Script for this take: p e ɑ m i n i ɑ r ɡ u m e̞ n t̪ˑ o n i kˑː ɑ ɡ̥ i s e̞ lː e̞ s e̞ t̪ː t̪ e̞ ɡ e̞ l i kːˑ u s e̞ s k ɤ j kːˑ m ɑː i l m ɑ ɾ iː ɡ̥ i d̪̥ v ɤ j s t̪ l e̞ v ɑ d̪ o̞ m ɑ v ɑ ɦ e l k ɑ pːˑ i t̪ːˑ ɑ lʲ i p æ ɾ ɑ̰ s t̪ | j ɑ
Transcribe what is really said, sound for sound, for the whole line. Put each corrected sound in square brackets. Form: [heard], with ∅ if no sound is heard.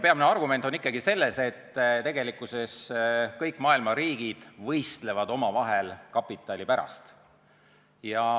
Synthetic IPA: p e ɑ m i n [e] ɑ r ɡ u m e̞ n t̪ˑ o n i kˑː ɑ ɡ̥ i s e̞ lː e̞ s e̞ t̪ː t̪ e̞ ɡ e̞ l i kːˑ u s e̞ s k ɤ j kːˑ m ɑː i l m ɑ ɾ iː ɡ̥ i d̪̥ v ɤ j s t̪ l e̞ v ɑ d̪ o̞ m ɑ v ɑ ɦ e l k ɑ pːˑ i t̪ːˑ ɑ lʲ i p æ ɾ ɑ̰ s t̪ | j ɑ